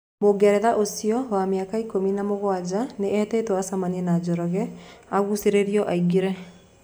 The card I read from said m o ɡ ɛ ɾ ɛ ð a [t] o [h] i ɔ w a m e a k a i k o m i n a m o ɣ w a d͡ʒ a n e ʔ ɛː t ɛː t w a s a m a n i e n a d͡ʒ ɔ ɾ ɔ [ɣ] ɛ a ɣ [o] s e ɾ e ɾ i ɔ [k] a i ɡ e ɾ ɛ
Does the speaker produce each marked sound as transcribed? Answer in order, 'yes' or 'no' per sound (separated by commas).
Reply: no, no, yes, no, no